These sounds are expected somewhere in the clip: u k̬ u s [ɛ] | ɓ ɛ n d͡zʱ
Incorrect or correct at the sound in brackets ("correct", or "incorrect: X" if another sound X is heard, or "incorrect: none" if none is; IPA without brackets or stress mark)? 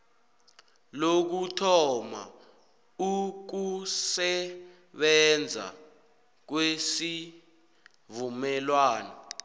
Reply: correct